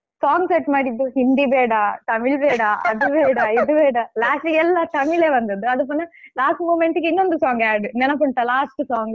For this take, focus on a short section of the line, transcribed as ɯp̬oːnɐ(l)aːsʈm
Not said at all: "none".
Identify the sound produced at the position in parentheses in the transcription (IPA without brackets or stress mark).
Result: l